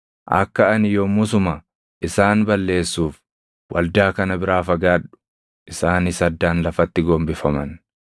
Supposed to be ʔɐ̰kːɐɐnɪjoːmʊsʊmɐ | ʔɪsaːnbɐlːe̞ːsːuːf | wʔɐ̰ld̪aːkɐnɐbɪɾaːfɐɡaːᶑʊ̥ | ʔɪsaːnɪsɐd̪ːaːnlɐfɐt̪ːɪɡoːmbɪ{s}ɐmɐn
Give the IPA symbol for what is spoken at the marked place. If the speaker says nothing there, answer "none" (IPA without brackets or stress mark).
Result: f